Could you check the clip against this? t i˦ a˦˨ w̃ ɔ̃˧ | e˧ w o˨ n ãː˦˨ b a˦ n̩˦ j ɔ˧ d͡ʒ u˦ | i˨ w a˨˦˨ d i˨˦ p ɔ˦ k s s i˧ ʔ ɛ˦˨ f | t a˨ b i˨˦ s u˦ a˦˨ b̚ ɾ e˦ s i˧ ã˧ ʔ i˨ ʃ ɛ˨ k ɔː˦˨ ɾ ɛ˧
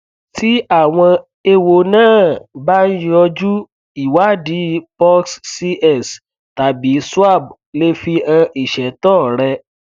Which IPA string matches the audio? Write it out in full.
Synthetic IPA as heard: t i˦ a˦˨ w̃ ɔ̃˧ | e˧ w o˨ n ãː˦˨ b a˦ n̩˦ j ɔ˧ d͡ʒ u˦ | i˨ w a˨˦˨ d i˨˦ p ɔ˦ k s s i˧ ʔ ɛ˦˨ s | t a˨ b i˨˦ s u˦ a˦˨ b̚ l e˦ f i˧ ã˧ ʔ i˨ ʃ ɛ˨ t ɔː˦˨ ɾ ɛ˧